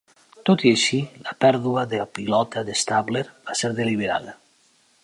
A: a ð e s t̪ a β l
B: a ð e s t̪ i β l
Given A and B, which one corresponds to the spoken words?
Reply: A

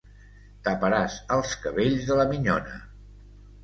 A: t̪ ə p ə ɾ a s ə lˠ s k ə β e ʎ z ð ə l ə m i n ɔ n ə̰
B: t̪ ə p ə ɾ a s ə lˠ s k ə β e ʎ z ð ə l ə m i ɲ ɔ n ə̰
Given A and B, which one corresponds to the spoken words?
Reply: B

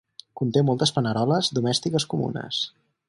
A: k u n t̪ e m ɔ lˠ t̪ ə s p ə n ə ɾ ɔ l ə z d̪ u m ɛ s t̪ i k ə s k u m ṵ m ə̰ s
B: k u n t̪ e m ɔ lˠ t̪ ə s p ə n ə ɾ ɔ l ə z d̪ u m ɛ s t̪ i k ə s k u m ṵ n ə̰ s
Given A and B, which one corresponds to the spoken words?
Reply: B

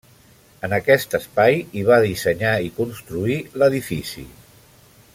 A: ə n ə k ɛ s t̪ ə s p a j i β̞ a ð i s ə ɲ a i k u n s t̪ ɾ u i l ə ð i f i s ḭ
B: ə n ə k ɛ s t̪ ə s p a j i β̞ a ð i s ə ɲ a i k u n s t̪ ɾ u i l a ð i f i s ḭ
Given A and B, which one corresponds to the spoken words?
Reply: A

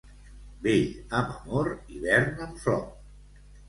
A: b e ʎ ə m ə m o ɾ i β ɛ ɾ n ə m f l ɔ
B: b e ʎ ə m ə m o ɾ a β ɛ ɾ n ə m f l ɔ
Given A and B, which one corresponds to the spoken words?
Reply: A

